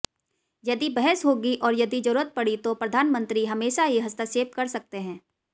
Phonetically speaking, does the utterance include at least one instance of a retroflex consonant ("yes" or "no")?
yes